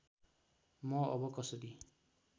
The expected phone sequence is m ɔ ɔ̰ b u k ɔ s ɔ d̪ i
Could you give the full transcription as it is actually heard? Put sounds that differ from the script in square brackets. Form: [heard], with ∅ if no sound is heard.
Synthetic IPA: m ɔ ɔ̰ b [ɔ] k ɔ s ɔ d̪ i